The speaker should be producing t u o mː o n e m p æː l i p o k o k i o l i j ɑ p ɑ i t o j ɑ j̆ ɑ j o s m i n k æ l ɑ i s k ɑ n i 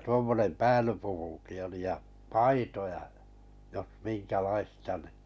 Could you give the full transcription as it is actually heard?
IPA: t u o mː o n e m p æː l y p u k u k i o l i j ɑ p ɑ i t o j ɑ j̆ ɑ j o s m i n k æ l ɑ i s t ɑ n i